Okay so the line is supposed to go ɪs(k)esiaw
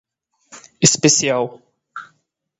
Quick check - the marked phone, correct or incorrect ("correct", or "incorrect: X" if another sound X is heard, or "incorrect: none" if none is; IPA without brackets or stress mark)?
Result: incorrect: p